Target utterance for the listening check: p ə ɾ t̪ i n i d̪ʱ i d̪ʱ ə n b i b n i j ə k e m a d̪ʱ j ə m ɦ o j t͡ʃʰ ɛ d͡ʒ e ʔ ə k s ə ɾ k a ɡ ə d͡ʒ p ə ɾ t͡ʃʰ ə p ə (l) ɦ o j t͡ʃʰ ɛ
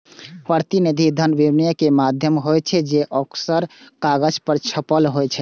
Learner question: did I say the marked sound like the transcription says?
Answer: yes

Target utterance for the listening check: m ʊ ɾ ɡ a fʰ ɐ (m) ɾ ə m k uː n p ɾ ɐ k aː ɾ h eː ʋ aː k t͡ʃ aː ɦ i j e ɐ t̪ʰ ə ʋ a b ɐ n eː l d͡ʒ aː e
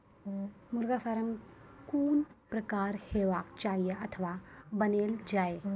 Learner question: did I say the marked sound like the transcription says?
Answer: no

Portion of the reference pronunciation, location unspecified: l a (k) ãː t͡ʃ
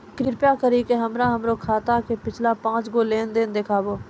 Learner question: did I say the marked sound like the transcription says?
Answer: no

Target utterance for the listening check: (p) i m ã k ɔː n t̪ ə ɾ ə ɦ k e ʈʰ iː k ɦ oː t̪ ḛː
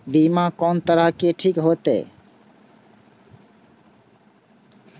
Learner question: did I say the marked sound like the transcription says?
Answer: no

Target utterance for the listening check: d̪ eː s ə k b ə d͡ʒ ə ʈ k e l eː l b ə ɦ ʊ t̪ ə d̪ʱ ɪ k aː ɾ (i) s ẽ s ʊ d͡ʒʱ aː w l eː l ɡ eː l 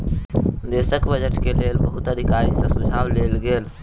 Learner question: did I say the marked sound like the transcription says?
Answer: yes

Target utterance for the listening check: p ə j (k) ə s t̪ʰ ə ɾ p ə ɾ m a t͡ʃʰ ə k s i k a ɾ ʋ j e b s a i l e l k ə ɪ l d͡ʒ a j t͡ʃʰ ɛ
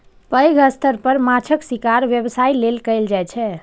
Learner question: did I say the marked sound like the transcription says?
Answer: no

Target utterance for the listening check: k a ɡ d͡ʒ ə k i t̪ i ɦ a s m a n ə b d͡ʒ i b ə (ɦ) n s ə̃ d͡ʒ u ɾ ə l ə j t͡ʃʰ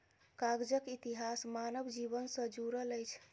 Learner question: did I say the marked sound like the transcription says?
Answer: no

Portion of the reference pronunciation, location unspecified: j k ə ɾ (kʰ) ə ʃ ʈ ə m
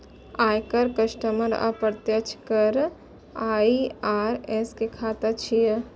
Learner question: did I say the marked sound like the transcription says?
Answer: no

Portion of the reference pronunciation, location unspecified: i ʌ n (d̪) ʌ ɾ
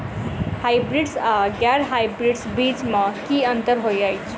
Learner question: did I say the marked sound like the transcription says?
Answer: no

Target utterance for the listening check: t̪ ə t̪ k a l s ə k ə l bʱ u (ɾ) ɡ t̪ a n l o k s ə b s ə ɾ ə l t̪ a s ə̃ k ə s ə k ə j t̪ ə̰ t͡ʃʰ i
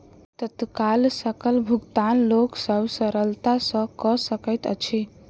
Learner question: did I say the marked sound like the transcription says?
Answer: no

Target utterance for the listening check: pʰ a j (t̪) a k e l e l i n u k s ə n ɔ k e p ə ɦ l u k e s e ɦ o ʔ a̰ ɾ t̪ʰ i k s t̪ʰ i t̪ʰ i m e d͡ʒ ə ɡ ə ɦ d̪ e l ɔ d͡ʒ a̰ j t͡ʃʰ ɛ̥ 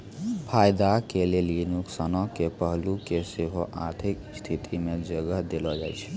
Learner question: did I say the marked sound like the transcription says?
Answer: no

